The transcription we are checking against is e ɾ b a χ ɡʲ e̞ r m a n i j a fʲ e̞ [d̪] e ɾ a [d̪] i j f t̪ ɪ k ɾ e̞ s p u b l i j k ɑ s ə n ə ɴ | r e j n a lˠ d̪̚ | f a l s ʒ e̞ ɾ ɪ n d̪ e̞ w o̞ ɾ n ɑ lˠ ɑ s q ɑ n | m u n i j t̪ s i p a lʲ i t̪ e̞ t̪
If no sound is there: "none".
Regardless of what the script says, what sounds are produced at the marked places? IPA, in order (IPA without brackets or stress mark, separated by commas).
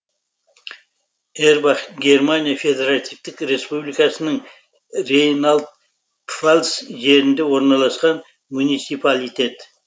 d̪, t̪